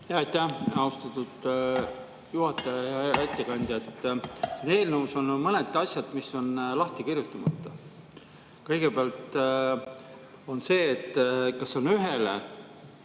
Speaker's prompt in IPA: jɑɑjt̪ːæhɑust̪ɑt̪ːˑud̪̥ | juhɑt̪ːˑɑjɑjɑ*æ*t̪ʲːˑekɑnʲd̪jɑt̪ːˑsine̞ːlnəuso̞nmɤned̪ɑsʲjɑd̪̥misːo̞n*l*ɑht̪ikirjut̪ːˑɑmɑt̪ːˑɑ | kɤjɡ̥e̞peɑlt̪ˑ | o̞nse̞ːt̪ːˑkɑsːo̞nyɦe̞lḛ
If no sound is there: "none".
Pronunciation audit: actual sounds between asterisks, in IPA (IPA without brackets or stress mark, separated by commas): æ, l